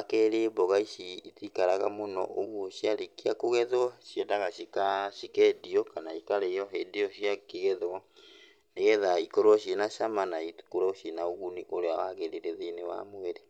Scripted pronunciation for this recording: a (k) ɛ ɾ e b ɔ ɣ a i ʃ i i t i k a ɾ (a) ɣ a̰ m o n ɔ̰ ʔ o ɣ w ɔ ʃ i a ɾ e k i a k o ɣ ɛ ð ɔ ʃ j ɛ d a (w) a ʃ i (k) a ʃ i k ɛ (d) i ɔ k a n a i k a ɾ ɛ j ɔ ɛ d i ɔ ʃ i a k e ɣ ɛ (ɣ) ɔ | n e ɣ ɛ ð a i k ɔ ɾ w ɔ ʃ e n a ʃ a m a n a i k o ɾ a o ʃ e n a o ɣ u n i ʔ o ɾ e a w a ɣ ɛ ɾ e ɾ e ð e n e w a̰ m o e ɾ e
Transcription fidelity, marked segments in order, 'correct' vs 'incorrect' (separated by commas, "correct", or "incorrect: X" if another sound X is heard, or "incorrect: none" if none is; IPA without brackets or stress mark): correct, correct, incorrect: ɣ, correct, correct, incorrect: ð